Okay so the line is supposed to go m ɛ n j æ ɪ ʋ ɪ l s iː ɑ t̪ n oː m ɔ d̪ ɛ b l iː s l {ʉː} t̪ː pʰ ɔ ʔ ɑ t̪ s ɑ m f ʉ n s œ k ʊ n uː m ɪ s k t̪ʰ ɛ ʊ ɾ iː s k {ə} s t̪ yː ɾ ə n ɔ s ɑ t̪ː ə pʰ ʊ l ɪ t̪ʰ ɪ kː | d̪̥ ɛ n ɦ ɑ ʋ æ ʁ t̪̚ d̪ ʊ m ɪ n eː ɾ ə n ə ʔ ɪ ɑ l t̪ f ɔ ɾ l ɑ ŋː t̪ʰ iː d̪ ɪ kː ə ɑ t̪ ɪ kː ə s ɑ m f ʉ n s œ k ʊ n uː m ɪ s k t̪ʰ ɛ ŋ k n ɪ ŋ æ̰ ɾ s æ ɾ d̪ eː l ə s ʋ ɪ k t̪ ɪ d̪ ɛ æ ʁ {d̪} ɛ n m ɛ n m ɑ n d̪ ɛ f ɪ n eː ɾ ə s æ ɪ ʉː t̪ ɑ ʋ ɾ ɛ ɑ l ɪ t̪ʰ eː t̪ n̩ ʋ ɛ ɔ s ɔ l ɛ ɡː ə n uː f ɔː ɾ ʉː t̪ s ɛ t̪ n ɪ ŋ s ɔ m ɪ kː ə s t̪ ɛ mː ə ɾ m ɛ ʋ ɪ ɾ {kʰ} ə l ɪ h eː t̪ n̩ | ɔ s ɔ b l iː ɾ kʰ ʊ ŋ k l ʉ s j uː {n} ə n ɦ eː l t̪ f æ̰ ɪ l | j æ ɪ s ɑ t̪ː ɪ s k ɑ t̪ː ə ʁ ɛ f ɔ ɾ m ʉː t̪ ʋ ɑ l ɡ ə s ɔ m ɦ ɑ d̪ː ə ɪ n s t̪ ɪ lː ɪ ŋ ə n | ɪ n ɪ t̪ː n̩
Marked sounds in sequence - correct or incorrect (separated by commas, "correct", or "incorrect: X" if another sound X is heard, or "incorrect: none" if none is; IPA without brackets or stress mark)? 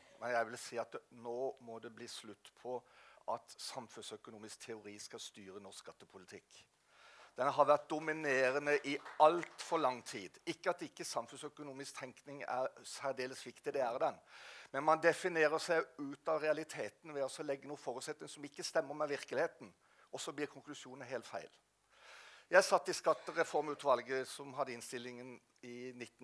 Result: incorrect: ʉ, incorrect: ɑ, correct, incorrect: k, correct